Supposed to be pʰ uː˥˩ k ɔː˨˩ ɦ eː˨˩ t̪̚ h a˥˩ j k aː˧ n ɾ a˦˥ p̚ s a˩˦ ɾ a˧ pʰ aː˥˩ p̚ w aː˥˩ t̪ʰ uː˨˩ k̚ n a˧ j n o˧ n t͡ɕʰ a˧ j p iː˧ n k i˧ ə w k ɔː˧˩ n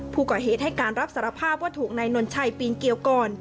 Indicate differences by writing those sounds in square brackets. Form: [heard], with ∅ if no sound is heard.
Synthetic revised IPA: pʰ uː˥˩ k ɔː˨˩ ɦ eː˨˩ t̪̚ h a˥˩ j k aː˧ n ɾ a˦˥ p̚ s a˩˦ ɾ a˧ pʰ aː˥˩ p̚ w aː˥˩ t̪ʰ uː˨˩ k̚ n a˧ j n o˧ n t͡ɕʰ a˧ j p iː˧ n k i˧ ə w k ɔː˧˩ n